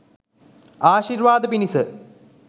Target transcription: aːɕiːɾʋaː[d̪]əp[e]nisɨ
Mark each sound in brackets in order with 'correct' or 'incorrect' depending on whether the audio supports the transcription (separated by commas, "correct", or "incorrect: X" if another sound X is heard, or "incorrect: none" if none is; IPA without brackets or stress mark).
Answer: correct, incorrect: i